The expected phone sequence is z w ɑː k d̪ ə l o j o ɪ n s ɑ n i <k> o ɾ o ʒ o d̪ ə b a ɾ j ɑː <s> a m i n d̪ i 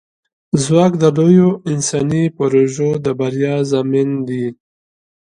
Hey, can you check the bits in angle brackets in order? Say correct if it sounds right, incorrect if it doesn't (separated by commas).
incorrect, incorrect